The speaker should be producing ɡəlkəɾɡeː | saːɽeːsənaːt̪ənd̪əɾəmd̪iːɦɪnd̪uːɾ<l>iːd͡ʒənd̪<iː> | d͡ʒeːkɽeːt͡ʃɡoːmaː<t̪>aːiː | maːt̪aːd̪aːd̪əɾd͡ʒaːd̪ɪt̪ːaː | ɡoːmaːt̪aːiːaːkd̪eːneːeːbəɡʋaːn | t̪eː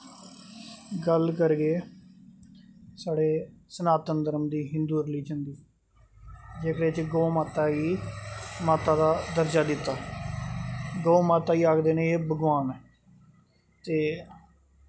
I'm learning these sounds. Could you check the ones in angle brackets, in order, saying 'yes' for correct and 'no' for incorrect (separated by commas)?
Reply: yes, yes, yes